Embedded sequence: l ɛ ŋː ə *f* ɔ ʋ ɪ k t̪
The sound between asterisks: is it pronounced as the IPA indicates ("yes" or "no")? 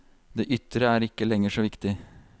no